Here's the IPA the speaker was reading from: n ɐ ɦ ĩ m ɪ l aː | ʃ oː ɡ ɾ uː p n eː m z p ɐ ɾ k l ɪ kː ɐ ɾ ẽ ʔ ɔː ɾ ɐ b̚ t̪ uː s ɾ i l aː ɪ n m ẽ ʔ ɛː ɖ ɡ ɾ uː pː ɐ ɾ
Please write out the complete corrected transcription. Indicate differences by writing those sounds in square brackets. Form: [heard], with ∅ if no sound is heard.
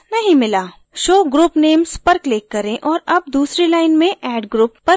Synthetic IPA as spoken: n ɐ ɦ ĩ m ɪ l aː | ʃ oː ɡ ɾ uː p n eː m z p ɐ ɾ k l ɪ kː ɐ ɾ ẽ ʔ ɔː ɾ ɐ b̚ [d̪] uː s ɾ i l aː ɪ n m ẽ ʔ ɛː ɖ ɡ ɾ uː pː ɐ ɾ